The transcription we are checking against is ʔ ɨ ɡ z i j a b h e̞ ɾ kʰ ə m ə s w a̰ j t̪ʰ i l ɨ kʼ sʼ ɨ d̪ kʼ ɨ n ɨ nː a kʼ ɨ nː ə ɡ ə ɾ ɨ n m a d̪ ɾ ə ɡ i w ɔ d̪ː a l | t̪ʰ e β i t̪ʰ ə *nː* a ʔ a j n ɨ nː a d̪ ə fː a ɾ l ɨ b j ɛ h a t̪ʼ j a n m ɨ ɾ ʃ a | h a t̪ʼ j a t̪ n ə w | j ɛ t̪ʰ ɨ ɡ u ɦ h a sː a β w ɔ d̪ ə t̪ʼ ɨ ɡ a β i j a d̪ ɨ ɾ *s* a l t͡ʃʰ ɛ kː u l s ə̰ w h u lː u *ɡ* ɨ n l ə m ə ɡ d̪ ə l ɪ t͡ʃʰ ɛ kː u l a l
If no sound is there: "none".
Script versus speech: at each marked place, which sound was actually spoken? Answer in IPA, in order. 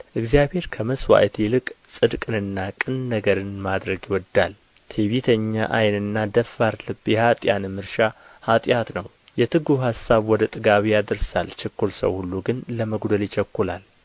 ɲː, s, ɡ

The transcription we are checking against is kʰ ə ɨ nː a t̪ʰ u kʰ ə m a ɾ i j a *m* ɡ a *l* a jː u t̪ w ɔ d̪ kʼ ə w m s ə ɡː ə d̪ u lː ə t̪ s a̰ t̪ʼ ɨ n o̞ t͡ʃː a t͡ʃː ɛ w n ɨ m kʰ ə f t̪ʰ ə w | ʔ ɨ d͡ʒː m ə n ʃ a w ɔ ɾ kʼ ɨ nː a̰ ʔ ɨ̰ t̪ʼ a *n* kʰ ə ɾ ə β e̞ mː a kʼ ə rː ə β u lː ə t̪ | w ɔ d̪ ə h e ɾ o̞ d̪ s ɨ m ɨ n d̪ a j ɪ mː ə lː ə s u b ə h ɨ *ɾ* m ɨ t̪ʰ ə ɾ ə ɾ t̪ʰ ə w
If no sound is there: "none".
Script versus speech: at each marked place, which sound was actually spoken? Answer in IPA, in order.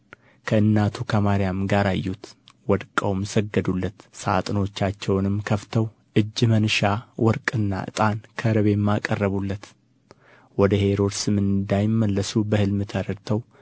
m, ɾ, n, l

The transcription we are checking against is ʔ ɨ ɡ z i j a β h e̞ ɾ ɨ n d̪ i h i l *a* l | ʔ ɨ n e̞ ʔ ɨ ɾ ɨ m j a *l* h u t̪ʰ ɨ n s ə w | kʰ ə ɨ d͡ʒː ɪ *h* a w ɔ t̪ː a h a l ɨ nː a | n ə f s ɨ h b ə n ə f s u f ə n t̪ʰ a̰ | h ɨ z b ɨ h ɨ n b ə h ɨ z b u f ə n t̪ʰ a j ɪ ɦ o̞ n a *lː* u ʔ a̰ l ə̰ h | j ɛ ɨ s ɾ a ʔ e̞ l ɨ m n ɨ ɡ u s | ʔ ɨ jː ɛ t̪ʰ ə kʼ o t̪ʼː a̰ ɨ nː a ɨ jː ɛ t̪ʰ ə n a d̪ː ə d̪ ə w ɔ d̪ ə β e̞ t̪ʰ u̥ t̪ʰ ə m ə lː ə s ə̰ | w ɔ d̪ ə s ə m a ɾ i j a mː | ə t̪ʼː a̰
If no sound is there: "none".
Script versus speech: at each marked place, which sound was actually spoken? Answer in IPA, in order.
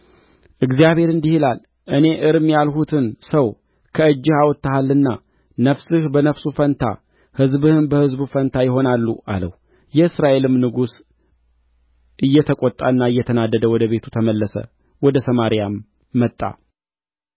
a, l, h, lː

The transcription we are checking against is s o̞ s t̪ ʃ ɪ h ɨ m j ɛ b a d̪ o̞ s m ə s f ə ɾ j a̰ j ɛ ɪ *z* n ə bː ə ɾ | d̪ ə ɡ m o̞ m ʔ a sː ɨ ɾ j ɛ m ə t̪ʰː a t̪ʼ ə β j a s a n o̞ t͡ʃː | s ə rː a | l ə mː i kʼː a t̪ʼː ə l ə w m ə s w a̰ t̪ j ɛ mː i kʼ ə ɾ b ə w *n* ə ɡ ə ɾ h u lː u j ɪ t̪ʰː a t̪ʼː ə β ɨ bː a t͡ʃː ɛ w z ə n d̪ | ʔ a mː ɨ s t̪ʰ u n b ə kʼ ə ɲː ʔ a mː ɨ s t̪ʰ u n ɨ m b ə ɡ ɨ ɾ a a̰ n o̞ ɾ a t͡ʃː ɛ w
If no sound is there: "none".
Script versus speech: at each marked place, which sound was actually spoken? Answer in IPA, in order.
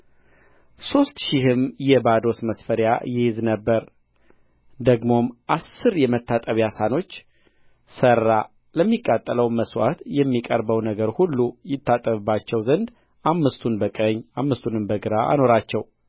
z, n

